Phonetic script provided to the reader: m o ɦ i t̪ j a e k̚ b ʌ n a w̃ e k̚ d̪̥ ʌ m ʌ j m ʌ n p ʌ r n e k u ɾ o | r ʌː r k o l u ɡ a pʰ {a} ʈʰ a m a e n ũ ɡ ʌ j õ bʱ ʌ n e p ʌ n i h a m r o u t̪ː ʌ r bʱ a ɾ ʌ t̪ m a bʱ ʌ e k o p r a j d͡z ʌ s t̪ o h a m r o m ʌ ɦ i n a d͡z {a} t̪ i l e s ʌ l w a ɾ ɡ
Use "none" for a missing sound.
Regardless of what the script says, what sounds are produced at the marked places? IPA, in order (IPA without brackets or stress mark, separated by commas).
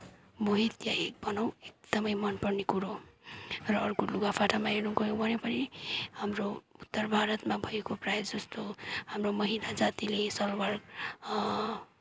a, a